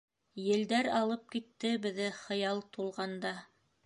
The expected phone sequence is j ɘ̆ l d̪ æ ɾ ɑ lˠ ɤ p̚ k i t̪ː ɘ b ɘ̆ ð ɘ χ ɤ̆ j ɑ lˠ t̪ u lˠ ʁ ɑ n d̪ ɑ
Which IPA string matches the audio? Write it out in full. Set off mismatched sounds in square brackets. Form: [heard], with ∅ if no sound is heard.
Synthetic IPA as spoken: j ɘ̆ l d̪ æ ɾ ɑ lˠ ɤ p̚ k i t̪ː ɘ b ɘ̆ ð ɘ χ ɤ̆ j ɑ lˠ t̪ u lˠ ʁ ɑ n d̪ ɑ